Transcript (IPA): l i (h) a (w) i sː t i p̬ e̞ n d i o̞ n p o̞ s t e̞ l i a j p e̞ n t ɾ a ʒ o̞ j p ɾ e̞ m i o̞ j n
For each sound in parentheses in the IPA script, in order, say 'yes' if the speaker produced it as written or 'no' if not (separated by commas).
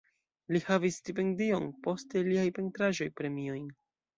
yes, no